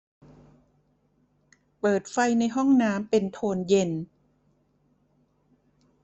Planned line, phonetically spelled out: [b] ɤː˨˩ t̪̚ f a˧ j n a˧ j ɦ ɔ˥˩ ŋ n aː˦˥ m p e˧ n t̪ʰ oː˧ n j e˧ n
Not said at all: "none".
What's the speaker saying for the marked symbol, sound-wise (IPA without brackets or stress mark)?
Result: p